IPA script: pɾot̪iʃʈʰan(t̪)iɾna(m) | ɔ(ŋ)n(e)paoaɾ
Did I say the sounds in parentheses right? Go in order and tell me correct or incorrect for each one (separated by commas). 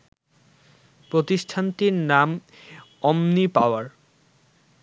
correct, correct, incorrect, incorrect